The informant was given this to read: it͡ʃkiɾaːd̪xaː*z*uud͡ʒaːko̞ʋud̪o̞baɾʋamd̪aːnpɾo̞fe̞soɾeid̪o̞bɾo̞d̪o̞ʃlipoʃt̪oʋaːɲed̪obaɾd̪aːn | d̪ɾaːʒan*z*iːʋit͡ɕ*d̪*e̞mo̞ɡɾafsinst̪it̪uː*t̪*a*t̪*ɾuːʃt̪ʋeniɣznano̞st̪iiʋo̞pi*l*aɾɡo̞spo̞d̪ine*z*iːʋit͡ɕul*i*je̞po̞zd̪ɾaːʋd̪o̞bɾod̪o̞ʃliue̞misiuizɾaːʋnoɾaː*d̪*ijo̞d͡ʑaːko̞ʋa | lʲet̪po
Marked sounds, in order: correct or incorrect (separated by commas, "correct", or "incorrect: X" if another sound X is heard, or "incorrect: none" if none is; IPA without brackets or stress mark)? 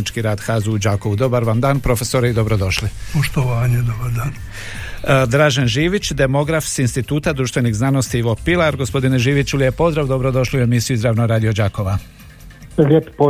correct, incorrect: ʒ, correct, correct, incorrect: d̪, correct, incorrect: ʒ, correct, correct